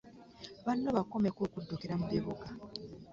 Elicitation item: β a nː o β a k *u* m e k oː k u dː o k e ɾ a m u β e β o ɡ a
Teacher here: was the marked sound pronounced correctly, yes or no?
no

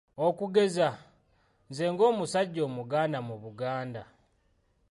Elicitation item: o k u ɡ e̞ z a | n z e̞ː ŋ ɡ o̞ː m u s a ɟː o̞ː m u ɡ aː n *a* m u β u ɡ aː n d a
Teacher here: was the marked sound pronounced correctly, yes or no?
yes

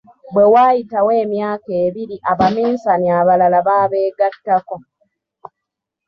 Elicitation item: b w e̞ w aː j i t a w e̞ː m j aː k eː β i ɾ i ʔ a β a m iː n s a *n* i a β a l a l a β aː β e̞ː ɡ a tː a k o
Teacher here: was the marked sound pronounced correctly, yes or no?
yes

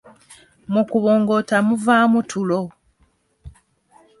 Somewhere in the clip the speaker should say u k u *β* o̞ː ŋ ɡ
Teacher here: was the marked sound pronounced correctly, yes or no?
yes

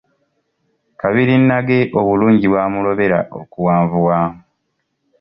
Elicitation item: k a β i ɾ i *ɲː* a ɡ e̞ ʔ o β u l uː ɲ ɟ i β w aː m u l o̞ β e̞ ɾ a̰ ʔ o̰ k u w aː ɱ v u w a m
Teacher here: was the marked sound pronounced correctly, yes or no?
no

